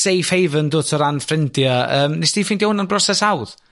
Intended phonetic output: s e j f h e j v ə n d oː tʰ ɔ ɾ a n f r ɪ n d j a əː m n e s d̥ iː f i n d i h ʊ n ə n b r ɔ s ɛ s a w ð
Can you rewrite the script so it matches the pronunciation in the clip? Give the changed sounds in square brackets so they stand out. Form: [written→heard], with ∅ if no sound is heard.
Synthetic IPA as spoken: s e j f h e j v ə n d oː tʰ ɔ ɾ a n f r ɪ n d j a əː m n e s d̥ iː f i n d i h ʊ n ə n b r ɔ s ɛ s a w ð